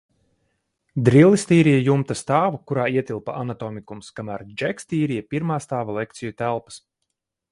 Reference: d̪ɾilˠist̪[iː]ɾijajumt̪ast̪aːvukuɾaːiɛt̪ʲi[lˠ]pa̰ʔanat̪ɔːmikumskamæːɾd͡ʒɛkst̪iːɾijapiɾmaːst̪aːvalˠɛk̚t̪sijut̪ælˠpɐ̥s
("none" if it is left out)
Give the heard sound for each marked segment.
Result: iː, lˠ

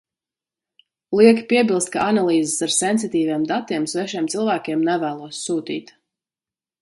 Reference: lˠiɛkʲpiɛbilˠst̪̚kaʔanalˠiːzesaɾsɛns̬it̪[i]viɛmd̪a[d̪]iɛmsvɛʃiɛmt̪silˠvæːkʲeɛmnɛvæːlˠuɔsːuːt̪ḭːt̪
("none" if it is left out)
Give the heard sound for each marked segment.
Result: iː, t̪

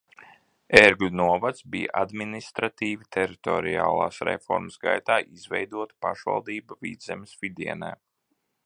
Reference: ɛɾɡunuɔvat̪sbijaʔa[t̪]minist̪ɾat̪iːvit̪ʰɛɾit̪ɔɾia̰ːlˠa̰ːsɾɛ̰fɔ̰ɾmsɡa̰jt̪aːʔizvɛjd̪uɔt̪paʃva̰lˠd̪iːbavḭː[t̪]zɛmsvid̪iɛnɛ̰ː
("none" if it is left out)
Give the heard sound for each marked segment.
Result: d̪, d̪

